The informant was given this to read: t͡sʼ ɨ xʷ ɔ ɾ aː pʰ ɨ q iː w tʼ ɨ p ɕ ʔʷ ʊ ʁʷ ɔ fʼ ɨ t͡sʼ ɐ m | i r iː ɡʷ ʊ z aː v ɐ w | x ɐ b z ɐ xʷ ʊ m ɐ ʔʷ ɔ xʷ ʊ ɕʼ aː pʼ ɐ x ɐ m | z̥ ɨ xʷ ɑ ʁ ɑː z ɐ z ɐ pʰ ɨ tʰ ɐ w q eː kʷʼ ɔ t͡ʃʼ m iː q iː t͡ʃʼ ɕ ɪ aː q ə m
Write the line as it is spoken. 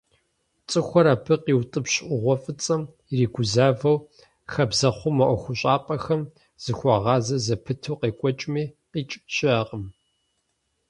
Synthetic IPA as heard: t͡sʼ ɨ xʷ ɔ ɾ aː pʰ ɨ q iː w tʼ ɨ p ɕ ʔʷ ʊ ʁʷ ɔ fʼ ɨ t͡sʼ ɐ m | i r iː ɡʷ ʊ z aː v ɐ w | x ɐ b z ɐ χʷ ʊ m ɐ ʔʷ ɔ xʷ ʊ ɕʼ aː pʼ ɐ x ɐ m | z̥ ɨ xʷ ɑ ʁ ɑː z ɐ z ɐ pʰ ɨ tʰ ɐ w q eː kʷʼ ɔ t͡ʃʼ m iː q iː t͡ʃʼ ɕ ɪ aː q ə m